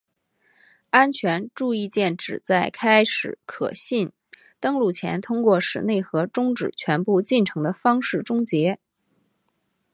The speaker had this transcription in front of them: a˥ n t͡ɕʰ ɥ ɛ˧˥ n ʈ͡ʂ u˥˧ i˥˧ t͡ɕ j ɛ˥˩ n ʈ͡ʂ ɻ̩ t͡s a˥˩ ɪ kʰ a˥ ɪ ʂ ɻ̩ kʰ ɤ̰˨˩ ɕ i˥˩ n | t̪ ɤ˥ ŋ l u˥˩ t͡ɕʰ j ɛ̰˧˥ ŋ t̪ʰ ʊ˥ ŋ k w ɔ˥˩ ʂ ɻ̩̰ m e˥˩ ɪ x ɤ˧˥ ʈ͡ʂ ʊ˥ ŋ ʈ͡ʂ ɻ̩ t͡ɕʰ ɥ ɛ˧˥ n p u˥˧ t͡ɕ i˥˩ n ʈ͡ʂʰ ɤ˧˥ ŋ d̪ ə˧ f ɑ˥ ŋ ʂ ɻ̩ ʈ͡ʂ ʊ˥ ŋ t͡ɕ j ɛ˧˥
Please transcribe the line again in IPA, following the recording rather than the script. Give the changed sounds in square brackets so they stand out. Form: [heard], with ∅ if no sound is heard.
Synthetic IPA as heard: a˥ n t͡ɕʰ ɥ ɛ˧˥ n ʈ͡ʂ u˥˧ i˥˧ t͡ɕ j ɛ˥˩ n ʈ͡ʂ ɻ̩ t͡s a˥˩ ɪ kʰ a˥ ɪ ʂ ɻ̩ kʰ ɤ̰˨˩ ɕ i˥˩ n | t̪ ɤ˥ ŋ l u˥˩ t͡ɕʰ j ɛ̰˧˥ [n] t̪ʰ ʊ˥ ŋ k w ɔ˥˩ ʂ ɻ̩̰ [n] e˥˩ ɪ x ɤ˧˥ ʈ͡ʂ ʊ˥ ŋ ʈ͡ʂ ɻ̩ t͡ɕʰ ɥ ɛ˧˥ n p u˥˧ t͡ɕ i˥˩ n ʈ͡ʂʰ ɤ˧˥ ŋ d̪ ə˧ f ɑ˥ ŋ ʂ ɻ̩ ʈ͡ʂ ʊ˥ ŋ t͡ɕ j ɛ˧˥